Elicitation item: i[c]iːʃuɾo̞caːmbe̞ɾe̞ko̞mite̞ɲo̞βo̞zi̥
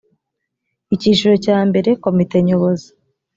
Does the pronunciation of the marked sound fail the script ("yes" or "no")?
no